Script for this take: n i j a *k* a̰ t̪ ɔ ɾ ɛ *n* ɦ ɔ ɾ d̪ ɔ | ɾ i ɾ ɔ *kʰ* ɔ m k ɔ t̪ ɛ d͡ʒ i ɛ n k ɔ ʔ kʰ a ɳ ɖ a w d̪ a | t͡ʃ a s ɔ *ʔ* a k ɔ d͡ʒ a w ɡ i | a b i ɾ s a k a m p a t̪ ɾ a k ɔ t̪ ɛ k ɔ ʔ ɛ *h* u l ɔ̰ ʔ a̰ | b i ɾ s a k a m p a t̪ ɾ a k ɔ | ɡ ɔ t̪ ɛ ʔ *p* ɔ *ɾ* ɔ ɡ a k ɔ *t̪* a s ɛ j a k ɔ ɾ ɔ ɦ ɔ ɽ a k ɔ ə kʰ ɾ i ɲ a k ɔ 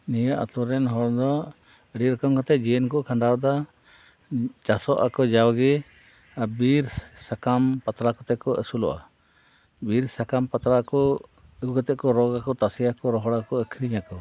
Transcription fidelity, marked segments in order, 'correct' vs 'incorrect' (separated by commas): incorrect, correct, incorrect, correct, incorrect, incorrect, correct, correct